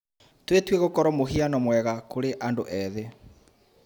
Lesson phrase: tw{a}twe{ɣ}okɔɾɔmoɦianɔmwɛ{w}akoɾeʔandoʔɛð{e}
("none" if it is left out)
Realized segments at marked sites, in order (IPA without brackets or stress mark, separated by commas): e, ɣ, ɣ, e